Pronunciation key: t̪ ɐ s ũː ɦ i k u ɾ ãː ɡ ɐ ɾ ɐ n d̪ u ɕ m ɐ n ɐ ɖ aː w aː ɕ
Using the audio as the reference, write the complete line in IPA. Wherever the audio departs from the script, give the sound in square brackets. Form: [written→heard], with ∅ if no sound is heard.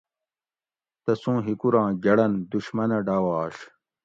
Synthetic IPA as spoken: t̪ ɐ s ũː ɦ i k u ɾ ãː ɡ ɐ [ɾ→ɽ] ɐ n d̪ u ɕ m ɐ n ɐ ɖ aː w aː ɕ